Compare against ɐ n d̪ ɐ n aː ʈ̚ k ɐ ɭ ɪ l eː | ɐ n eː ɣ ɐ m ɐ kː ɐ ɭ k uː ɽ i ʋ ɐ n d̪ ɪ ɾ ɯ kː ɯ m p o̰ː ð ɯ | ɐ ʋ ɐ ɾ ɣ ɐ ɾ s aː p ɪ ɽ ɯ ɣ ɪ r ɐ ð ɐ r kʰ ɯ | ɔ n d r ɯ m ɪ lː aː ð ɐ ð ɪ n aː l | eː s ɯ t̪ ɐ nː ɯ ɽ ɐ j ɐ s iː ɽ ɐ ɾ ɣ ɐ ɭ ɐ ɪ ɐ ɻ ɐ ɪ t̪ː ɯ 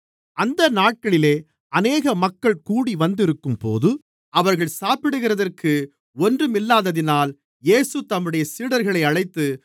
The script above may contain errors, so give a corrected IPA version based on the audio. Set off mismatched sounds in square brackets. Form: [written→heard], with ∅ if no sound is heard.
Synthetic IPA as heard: ɐ n d̪ ɐ n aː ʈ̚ k ɐ ɭ ɪ l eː | ɐ n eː ɣ ɐ m ɐ kː ɐ ɭ k uː ɽ i ʋ ɐ n d̪ ɪ ɾ ɯ kː ɯ m p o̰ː ð ɯ | ɐ ʋ ɐ ɾ ɣ ɐ [ɾ→ɭ] s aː p ɪ ɽ ɯ ɣ ɪ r ɐ ð ɐ r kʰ ɯ | ɔ n d r ɯ m ɪ lː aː ð ɐ ð ɪ n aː l | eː s ɯ t̪ ɐ [nː→mː] ɯ ɽ ɐ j ɐ s iː ɽ ɐ ɾ ɣ ɐ ɭ ɐ ɪ ɐ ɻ ɐ ɪ t̪ː ɯ